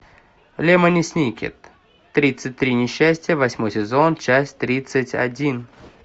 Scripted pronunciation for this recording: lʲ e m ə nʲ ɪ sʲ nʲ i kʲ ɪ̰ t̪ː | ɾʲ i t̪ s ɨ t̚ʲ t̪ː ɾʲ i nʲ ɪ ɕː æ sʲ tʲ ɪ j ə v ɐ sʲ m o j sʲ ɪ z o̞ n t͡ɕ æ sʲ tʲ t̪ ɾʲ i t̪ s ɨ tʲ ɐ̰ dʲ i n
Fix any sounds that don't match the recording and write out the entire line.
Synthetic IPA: lʲ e m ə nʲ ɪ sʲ nʲ i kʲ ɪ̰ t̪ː | ɾʲ i t̪ s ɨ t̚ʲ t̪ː ɾʲ i nʲ ɪ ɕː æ sʲ tʲ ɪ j ə v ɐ sʲ m o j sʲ ɪ z o̞ n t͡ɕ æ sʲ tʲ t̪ ɾʲ i t̪ s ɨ tʲ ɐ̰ dʲ i n